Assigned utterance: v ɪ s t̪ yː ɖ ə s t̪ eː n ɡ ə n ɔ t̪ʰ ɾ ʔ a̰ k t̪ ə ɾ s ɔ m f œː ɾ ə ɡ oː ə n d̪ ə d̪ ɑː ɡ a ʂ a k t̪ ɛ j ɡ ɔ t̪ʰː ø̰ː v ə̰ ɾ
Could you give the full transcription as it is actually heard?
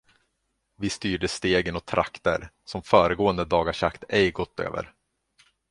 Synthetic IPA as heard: v ɪ s t̪ yː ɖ ə s t̪ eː ɡ ə n ɔ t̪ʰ ɾ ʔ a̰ k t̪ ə ɾ s ɔ m f œː ɾ ə ɡ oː ə n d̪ ə d̪ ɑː ɡ a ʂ a k t̪ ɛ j ɡ ɔ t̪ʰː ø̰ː v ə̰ ɾ